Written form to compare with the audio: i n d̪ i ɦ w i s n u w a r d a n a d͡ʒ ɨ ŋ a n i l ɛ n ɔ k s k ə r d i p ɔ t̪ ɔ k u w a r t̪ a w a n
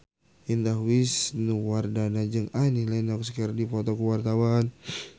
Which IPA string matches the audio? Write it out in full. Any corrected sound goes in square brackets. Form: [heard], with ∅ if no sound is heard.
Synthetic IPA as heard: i n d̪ [a] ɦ w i s n u w a r d a n a d͡ʒ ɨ ŋ a n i l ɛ n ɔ k s k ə r d i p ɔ t̪ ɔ k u w a r t̪ a w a n